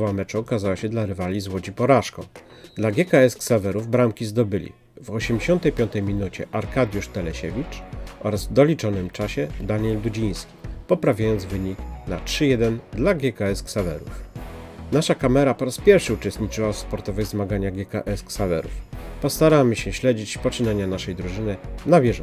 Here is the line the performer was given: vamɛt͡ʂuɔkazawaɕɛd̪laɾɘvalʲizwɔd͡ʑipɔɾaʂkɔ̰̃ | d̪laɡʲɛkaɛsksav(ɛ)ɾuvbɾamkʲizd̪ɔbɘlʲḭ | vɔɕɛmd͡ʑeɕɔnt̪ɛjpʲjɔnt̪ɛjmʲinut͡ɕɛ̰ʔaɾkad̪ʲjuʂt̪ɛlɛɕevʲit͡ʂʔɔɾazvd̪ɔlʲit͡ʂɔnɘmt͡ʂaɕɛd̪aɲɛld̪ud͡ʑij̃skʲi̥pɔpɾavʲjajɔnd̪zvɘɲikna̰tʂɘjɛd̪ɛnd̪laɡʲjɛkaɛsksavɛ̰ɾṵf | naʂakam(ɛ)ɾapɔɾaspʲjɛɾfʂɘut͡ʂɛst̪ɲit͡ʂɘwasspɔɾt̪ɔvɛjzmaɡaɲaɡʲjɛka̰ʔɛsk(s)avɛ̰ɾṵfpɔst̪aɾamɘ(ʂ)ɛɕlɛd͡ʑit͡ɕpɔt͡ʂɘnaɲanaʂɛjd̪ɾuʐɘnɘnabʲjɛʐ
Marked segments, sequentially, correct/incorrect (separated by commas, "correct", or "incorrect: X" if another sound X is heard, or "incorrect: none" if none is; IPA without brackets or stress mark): correct, correct, correct, incorrect: ɕ